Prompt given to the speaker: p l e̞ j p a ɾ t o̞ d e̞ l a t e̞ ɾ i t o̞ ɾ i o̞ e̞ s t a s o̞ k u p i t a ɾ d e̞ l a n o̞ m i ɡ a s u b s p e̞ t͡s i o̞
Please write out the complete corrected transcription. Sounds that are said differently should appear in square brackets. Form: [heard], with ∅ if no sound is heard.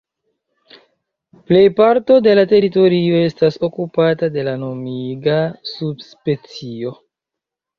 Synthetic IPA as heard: p l e̞ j p a ɾ t o̞ d e̞ l a t e̞ ɾ i t o̞ ɾ i o̞ e̞ s t a s o̞ k u p [a] t a [∅] d e̞ l a n o̞ m i ɡ a s u b s p e̞ t͡s i o̞